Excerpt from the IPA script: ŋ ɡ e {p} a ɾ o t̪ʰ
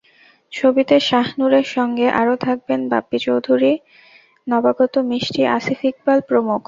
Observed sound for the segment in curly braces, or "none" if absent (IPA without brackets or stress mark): ʔ